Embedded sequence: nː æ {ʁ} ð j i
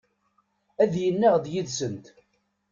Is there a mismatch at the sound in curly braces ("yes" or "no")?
no